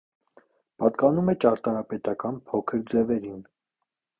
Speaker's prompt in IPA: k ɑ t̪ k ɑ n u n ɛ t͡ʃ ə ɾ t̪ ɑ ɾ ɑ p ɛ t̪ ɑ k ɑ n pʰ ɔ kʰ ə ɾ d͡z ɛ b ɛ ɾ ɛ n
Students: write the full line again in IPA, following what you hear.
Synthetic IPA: p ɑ t̪ k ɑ n u m ɛ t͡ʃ ɑ ɾ t̪ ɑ ɾ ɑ p ɛ t̪ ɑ k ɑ n pʰ ɔ kʰ ə ɾ d͡z ɛ v ɛ ɾ i n